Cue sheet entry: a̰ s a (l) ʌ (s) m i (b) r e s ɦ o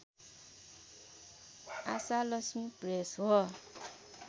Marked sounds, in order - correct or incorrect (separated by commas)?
correct, correct, incorrect